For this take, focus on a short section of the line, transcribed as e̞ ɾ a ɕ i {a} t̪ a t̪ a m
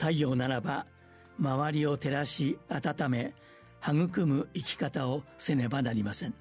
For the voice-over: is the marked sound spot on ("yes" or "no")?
yes